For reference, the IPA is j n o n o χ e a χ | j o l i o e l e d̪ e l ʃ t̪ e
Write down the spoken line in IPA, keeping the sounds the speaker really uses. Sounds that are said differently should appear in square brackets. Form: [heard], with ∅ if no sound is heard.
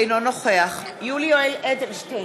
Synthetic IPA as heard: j n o n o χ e a χ | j [u] l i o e l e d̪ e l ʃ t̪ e